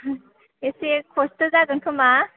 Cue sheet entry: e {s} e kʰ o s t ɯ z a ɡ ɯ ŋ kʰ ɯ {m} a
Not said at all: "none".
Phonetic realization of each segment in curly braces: s, m

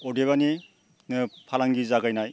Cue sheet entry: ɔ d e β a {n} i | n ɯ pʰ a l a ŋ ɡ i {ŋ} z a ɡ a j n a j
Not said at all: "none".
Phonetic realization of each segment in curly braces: n, none

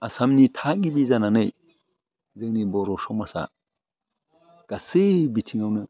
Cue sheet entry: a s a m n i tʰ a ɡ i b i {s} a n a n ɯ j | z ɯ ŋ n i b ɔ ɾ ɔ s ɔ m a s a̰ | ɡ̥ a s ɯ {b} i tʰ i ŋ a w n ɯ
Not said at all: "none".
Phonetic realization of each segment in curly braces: z, b

